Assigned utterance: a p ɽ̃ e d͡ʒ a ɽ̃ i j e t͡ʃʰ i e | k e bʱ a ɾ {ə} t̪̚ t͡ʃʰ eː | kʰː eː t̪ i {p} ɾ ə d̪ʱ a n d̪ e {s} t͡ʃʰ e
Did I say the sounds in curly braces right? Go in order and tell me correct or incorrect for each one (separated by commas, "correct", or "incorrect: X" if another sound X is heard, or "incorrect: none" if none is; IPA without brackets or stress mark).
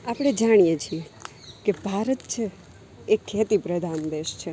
correct, correct, incorrect: ʃ